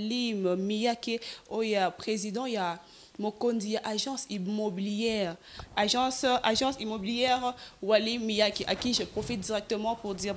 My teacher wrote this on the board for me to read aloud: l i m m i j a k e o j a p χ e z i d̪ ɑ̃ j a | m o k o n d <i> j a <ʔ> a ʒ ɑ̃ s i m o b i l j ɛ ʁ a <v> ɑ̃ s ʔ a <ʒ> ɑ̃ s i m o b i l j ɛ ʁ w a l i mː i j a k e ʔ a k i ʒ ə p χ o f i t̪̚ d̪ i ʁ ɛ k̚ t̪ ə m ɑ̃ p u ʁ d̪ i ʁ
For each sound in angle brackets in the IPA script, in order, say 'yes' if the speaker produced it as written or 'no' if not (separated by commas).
yes, yes, no, yes